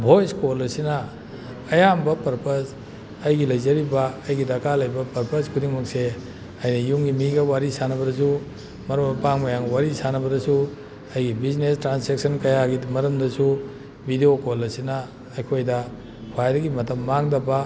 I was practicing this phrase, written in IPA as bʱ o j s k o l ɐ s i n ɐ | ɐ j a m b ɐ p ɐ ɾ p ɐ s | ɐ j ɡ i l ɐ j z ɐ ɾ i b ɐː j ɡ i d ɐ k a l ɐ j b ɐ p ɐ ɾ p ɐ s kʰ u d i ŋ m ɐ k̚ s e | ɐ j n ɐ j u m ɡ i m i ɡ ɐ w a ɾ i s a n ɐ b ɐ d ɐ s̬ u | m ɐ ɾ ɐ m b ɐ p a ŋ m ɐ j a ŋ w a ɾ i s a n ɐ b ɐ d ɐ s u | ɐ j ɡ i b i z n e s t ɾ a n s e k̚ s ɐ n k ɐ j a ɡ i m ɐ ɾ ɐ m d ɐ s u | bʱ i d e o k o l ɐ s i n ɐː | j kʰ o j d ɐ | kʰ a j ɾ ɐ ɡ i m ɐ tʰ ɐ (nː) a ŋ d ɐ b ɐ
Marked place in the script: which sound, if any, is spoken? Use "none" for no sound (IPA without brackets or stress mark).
mː